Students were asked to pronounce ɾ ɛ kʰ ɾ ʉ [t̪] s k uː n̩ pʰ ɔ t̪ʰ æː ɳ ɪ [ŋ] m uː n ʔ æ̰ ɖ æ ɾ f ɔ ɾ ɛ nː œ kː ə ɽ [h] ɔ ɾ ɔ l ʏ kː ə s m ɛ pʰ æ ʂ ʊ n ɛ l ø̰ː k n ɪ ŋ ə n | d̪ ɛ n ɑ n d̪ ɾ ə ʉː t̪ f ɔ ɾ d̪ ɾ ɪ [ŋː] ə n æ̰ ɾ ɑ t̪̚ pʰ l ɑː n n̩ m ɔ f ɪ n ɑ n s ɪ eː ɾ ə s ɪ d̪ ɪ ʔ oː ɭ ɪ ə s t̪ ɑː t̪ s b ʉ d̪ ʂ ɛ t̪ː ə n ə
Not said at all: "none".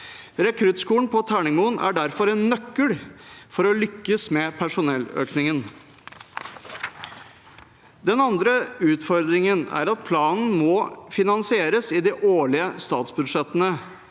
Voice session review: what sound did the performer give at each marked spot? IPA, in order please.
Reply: t̪, ŋ, f, ŋ

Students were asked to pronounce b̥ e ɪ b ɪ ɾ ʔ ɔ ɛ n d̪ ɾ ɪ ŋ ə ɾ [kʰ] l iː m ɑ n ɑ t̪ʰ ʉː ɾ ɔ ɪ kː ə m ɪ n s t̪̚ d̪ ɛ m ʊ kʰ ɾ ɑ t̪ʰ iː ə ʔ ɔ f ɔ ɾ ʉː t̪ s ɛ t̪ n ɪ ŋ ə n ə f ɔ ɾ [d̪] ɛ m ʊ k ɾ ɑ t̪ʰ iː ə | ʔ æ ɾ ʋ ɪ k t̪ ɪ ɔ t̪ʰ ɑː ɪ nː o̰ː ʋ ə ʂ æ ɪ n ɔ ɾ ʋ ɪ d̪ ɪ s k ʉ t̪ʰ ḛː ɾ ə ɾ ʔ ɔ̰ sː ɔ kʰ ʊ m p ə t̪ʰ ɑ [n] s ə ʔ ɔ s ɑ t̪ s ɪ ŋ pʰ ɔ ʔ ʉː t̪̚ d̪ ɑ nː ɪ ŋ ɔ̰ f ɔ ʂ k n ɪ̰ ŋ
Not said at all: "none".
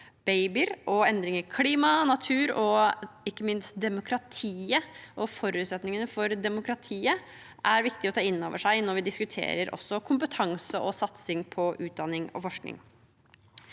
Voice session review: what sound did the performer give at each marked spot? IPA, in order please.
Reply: kʰ, d̪, ŋ

